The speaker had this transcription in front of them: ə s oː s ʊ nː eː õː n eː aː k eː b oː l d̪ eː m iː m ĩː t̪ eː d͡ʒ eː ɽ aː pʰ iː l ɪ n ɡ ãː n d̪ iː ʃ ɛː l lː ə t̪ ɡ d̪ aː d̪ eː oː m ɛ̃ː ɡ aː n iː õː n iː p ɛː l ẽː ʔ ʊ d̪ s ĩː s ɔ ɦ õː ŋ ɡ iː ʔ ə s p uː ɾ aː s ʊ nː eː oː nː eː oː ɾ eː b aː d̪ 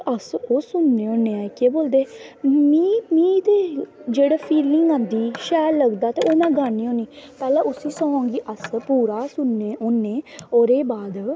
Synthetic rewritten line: ə s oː s ʊ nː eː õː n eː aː k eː b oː l d̪ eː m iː m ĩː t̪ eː d͡ʒ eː ɽ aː pʰ iː l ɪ ŋ ɡ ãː n d̪ iː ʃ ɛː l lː ə ɡ d̪ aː t̪ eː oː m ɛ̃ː ɡ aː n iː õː n iː p ɛː l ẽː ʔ ʊ s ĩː s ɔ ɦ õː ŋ ɡ iː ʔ ə s p uː ɾ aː s ʊ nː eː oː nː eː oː ɾ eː b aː d̪

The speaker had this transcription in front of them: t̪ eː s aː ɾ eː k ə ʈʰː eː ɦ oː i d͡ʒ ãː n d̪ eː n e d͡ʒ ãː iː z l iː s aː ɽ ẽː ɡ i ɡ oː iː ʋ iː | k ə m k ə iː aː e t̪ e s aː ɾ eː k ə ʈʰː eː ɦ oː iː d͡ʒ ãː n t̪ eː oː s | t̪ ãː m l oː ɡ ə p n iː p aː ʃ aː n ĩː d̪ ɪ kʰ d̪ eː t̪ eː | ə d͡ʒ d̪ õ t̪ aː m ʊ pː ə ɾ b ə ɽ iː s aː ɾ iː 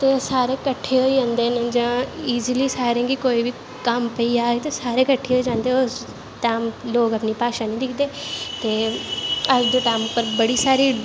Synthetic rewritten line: t̪ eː s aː ɾ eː k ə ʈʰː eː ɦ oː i d͡ʒ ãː n d̪ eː n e d͡ʒ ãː iː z l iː s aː ɾ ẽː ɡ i k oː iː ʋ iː | k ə m p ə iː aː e t̪ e s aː ɾ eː k ə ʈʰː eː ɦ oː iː d͡ʒ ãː n d̪ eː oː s | t̪ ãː m l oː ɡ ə p n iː p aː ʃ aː n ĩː d̪ ɪ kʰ d̪ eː t̪ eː | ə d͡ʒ d̪ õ t̪ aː m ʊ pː ə ɾ b ə ɽ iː s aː ɾ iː

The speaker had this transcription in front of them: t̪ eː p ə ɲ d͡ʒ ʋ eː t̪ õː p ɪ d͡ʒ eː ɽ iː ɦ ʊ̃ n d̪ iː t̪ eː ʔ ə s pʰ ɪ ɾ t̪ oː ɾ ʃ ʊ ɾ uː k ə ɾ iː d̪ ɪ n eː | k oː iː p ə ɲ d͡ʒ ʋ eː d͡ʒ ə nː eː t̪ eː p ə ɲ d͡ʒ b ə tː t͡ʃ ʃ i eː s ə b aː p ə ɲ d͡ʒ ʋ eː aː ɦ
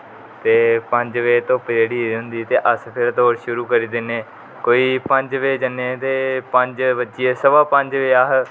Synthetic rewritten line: t̪ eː p ə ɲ d͡ʒ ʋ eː t̪ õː p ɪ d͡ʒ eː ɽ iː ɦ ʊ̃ n d̪ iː t̪ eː ʔ ə s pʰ ɪ ɾ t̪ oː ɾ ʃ ʊ ɾ uː k ə ɾ iː d̪ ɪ n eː | k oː iː p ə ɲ d͡ʒ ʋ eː d͡ʒ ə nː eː t̪ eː p ə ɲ d͡ʒ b ə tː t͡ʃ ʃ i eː s ə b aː p ə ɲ d͡ʒ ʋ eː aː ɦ

